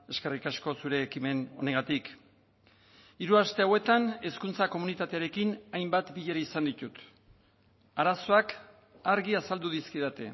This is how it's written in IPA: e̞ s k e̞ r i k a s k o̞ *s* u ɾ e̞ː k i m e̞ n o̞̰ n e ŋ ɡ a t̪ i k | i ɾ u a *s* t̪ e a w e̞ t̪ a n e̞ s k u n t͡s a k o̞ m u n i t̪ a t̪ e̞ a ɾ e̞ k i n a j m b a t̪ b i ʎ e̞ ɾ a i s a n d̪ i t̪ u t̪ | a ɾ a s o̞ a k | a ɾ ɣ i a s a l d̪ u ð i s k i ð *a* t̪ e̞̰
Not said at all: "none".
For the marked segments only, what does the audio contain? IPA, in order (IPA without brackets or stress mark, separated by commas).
s, s, a